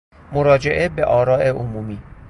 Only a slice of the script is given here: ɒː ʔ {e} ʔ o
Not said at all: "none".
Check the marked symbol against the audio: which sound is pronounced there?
e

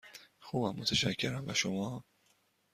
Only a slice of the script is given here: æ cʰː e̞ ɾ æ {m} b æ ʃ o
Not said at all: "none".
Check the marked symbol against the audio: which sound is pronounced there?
m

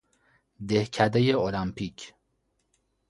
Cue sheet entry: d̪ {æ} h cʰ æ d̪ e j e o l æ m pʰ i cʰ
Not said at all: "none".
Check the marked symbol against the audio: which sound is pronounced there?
e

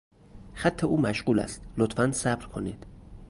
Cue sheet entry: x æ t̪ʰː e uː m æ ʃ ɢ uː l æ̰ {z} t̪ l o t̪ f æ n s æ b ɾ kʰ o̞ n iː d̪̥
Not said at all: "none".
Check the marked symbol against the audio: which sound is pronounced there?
s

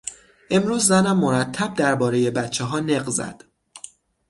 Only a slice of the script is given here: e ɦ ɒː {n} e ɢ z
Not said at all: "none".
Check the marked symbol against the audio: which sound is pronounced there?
n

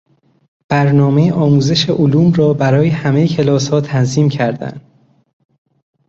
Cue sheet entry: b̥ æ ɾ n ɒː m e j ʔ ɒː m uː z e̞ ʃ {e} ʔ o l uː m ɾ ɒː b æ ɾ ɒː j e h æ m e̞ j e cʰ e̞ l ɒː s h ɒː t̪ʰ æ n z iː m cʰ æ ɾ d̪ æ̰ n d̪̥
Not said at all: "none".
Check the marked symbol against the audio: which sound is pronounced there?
e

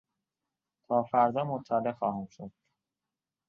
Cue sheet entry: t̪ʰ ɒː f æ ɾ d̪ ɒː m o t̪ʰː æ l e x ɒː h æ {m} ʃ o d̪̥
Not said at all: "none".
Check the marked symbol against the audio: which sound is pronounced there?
m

